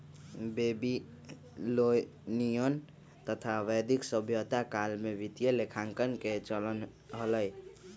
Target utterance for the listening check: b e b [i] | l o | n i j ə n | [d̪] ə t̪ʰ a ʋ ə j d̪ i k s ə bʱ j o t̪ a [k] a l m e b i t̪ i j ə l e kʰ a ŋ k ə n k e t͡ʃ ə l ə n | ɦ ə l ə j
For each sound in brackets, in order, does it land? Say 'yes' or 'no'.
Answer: yes, no, yes

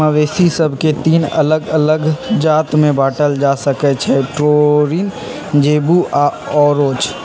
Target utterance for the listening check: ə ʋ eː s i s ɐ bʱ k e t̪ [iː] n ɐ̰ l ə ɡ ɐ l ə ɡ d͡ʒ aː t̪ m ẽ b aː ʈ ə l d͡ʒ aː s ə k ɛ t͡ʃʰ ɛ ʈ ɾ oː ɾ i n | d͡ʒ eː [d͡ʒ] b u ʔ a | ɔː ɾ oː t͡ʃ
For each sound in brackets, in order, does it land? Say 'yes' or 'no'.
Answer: yes, no

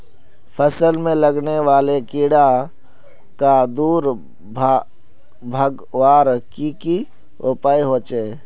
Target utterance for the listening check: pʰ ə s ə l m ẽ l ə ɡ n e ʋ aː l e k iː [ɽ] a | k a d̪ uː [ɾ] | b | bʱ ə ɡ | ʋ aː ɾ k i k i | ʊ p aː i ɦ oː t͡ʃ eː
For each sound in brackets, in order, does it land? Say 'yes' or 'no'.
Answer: yes, yes

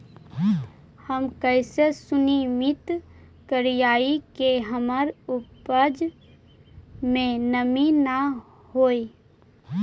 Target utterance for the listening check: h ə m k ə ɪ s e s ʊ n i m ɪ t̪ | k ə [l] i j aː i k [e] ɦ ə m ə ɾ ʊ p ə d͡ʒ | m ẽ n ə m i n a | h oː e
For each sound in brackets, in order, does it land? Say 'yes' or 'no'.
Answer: no, yes

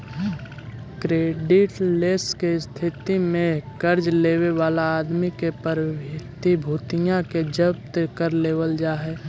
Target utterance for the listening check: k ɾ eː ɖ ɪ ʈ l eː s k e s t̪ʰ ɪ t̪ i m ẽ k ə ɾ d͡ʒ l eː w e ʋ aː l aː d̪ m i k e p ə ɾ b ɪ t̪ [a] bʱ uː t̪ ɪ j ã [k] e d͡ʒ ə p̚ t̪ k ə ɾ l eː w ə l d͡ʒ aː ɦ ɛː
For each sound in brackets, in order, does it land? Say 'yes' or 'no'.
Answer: no, yes

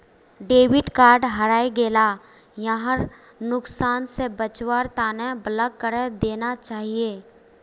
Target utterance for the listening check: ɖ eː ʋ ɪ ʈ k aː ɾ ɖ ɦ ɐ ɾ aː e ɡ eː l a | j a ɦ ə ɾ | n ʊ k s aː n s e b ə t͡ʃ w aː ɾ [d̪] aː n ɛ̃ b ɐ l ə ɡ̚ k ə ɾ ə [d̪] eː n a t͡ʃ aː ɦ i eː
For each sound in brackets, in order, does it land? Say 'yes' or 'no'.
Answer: no, yes

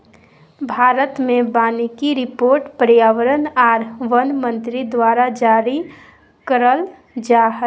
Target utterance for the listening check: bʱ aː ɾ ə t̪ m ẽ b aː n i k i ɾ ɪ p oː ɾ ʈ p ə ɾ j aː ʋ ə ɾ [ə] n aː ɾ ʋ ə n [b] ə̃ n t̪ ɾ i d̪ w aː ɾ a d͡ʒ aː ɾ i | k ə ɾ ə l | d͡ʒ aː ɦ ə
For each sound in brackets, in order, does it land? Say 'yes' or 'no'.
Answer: yes, no

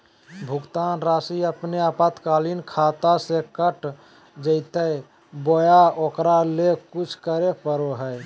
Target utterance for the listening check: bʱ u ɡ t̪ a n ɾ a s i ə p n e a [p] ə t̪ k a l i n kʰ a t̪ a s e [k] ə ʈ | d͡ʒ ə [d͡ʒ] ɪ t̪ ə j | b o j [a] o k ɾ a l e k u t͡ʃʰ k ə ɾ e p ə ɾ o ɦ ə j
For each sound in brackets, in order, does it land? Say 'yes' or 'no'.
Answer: yes, yes, no, yes

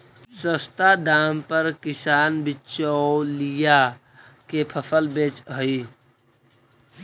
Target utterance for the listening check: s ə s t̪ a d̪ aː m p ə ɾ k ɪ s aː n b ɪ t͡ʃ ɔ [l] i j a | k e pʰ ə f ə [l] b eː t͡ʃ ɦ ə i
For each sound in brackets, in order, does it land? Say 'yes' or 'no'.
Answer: yes, yes

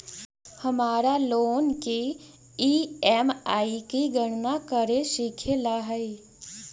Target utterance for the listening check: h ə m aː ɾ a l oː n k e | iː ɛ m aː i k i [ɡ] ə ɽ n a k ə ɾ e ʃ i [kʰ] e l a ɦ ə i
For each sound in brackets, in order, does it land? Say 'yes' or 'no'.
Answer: yes, yes

